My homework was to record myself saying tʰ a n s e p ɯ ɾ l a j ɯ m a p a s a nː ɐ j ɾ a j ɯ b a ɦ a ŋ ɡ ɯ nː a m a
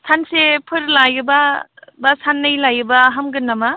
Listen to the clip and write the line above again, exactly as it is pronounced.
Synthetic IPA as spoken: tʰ a n s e pʰ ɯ ɾ l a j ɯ b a b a s a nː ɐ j l a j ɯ b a ɦ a m ɡ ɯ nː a m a